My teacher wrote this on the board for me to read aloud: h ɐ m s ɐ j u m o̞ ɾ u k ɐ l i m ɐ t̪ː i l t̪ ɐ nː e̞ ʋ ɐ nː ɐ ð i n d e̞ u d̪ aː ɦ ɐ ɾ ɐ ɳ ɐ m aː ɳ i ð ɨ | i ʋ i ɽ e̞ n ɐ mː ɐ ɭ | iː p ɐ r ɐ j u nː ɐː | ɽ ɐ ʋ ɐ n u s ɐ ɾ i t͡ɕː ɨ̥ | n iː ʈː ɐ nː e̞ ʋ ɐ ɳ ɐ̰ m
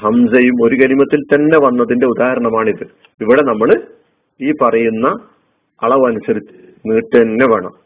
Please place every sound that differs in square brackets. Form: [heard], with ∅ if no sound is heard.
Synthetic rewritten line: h ɐ m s ɐ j u m o̞ ɾ u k ɐ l i m ɐ t̪ː i l t̪ ɐ nː e̞ ʋ ɐ nː ɐ ð i n d e̞ u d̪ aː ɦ ɐ ɾ ɐ ɳ ɐ m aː ɳ i ð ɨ | i ʋ i ɽ e̞ n ɐ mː ɐ ɭ | iː p ɐ r ɐ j u nː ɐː | [ɭ] ɐ ʋ ɐ n u s ɐ ɾ i t͡ɕː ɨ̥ | n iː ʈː ɐ nː e̞ ʋ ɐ ɳ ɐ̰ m